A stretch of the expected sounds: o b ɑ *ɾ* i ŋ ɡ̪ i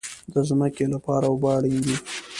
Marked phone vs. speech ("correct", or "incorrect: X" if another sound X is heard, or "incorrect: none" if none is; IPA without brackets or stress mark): incorrect: ɽ